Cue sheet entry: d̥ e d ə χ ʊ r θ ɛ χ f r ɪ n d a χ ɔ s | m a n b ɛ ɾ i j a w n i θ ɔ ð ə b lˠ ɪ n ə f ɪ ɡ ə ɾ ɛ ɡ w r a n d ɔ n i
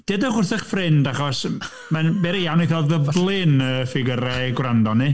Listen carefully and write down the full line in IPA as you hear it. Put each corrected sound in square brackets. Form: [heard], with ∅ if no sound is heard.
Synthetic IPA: d̥ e d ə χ ʊ r θ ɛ χ f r ɪ n d a χ ɔ s | m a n b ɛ ɾ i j a w n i θ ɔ ð ə b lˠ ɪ n ə f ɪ ɡ ə ɾ ɛ ɡ w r a n d ɔ n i